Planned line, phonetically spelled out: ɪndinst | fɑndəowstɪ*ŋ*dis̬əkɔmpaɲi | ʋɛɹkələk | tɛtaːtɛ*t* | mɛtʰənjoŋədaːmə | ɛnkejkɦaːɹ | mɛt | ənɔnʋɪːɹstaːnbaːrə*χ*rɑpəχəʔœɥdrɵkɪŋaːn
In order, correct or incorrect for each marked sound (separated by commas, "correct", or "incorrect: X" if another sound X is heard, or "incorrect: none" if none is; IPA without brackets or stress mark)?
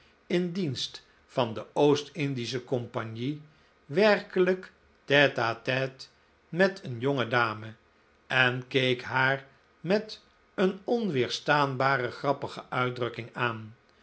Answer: incorrect: n, correct, correct